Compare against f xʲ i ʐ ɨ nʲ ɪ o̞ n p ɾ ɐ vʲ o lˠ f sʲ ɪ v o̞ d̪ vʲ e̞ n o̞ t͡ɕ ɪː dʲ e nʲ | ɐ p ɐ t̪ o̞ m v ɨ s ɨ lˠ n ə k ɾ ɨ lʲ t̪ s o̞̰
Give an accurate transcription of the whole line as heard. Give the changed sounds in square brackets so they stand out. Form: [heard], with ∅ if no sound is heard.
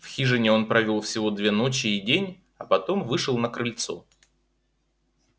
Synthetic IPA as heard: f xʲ i ʐ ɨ nʲ ɪ o̞ n p ɾ ɐ vʲ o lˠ f sʲ ɪ v o̞ d̪ vʲ e̞ n o̞ t͡ɕ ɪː dʲ e nʲ | ɐ p ɐ t̪ o̞ m v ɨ [ʂ] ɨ lˠ n ə k ɾ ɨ lʲ t̪ s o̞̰